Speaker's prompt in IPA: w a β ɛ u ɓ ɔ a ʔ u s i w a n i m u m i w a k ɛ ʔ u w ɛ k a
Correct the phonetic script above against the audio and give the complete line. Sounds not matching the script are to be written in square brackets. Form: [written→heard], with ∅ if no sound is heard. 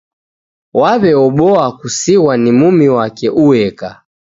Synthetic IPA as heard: w a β ɛ [u→ɔ] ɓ ɔ a [ʔ→k] u s i w a n i m u m i w a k ɛ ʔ u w ɛ k a